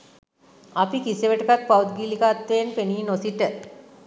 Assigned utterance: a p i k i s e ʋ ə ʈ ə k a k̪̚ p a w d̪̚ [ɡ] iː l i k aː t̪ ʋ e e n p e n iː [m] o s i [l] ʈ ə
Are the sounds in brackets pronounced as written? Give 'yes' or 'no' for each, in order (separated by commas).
yes, no, no